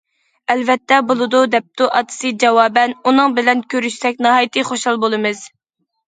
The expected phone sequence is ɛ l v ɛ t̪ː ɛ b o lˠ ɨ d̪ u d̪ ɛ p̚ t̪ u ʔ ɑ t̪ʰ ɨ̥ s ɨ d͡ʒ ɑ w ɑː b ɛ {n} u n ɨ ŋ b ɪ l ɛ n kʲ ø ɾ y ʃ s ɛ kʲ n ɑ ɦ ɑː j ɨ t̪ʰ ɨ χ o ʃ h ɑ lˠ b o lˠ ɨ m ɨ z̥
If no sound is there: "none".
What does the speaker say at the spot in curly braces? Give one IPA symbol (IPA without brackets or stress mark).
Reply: n